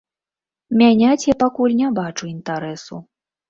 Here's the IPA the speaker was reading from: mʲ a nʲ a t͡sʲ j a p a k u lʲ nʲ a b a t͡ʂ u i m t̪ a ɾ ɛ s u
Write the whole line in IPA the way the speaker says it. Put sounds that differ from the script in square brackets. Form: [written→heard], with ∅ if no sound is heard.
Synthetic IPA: mʲ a nʲ a t͡sʲ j a p a k u lʲ nʲ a b a t͡ʂ u i [m→n] t̪ a ɾ ɛ s u

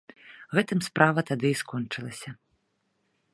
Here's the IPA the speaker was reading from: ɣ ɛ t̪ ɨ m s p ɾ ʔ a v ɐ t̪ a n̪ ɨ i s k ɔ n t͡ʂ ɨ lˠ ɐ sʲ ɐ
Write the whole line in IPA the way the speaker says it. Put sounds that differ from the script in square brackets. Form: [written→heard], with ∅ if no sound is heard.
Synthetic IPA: ɣ ɛ t̪ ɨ m s p ɾ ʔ a v ɐ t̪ a [n̪→d̪] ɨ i s k ɔ n t͡ʂ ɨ lˠ ɐ sʲ ɐ

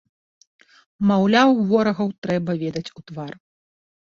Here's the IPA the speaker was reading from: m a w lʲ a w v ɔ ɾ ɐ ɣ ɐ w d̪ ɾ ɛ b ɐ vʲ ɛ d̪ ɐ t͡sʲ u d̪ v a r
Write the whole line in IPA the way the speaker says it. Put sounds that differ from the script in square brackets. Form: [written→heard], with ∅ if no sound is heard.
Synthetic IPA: m a w lʲ a w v ɔ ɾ ɐ ɣ ɐ w [d̪→t̪] ɾ ɛ b ɐ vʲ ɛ d̪ ɐ t͡sʲ u [d̪→t̪] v a r

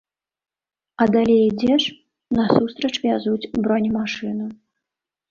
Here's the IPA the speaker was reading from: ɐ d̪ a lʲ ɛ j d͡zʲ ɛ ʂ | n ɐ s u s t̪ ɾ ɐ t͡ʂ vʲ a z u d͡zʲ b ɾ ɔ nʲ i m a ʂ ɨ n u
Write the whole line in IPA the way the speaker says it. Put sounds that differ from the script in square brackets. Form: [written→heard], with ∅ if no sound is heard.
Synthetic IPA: ɐ d̪ a lʲ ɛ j d͡zʲ ɛ ʂ | n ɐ s u s t̪ ɾ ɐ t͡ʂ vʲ a z u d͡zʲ b ɾ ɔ nʲ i m a ʂ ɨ n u

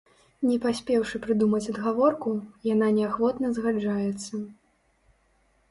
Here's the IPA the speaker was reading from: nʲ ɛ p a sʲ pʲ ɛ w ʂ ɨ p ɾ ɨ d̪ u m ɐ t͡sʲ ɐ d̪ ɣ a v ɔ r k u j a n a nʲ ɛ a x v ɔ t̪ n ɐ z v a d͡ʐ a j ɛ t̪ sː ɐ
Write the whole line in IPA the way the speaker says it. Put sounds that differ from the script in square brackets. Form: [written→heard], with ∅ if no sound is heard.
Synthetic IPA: nʲ ɛ p a sʲ pʲ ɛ w ʂ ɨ p ɾ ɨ d̪ u m ɐ t͡sʲ ɐ d̪ ɣ a v ɔ r k u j a n a nʲ ɛ a x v ɔ t̪ n ɐ z [v→ɣ] a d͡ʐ a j ɛ t̪ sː ɐ

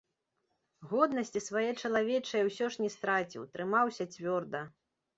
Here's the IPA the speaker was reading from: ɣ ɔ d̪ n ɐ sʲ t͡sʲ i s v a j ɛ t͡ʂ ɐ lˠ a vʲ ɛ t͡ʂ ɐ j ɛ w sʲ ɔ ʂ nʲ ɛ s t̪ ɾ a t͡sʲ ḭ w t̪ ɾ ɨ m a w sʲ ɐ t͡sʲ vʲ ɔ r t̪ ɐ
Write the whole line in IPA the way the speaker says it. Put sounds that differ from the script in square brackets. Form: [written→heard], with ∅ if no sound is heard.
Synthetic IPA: ɣ ɔ d̪ n ɐ sʲ t͡sʲ i s v a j ɛ t͡ʂ ɐ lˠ a vʲ ɛ t͡ʂ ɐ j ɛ w sʲ ɔ ʂ nʲ ɛ s t̪ ɾ a t͡sʲ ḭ w t̪ ɾ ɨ m a w sʲ ɐ t͡sʲ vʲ ɔ r [t̪→d̪] ɐ

